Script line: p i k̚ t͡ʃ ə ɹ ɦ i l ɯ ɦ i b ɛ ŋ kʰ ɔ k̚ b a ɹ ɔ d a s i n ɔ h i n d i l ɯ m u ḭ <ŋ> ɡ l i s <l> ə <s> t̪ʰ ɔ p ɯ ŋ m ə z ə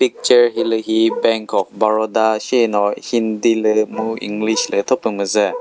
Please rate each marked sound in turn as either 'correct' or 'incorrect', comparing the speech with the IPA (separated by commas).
correct, correct, incorrect